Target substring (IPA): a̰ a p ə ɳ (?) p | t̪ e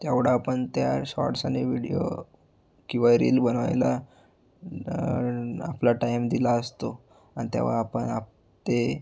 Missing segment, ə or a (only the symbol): a